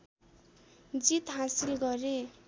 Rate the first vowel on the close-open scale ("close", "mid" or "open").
close